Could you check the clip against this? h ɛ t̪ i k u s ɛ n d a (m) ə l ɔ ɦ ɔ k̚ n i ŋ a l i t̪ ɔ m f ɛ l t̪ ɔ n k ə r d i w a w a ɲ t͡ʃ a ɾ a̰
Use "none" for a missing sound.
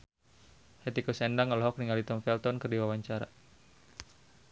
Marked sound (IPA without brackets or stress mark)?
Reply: ŋ